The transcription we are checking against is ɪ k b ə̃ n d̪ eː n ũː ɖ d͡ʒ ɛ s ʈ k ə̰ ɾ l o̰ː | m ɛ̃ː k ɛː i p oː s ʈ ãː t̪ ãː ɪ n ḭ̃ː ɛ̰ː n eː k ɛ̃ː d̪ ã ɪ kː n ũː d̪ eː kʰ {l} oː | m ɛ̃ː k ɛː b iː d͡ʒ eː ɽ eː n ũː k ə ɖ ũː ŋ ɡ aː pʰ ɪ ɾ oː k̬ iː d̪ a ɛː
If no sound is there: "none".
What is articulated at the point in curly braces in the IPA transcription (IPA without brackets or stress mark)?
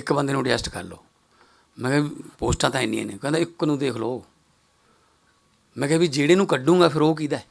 l